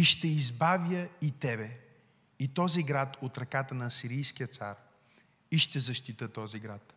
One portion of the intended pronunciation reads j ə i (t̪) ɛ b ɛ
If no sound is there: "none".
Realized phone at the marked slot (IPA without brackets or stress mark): t̪